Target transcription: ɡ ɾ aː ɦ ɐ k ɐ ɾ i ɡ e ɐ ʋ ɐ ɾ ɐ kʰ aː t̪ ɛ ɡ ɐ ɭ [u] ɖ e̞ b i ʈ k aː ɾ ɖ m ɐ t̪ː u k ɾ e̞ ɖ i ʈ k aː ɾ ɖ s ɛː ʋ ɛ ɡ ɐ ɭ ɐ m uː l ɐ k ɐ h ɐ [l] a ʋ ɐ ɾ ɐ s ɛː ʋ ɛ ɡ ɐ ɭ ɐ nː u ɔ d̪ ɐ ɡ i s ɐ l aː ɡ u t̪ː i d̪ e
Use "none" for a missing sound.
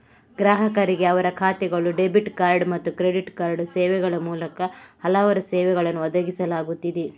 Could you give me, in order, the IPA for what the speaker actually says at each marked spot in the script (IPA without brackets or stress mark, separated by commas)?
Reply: u, l